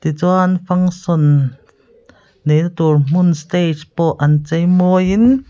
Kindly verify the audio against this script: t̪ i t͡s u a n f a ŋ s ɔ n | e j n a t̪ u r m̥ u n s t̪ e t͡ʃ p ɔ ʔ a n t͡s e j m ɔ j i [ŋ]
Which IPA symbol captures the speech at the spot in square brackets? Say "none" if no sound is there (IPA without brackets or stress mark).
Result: n